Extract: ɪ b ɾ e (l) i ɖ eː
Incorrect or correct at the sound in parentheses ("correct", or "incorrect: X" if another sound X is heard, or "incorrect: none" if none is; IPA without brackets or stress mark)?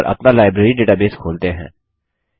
incorrect: ɾ